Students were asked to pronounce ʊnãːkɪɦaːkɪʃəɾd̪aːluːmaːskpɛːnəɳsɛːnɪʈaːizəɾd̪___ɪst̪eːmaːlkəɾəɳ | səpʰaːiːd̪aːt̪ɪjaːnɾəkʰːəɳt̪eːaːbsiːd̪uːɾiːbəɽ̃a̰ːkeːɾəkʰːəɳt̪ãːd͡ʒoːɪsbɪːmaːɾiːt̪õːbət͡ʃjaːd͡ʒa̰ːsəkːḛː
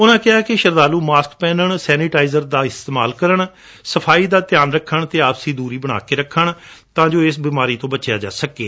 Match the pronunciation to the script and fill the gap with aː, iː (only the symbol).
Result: aː